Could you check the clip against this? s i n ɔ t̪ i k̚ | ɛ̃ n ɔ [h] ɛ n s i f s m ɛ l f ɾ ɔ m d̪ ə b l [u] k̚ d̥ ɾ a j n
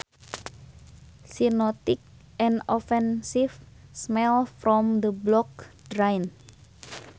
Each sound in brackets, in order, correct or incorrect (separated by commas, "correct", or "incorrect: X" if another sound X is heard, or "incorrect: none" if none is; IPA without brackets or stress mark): incorrect: f, incorrect: ɔ